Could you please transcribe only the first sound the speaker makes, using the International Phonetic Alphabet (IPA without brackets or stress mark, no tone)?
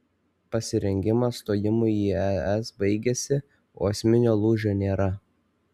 p